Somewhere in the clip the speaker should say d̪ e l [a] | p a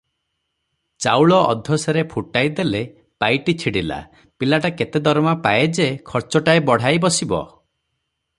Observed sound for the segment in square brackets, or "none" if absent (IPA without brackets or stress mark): e